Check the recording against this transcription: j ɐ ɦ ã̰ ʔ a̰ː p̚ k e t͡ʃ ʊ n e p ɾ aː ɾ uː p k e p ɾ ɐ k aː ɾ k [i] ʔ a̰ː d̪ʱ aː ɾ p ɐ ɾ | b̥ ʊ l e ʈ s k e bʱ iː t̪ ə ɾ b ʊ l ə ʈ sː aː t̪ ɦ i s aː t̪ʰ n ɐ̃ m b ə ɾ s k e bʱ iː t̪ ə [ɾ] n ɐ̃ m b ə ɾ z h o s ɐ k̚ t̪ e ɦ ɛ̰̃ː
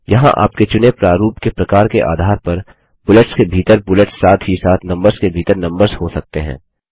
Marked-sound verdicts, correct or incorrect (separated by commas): incorrect, correct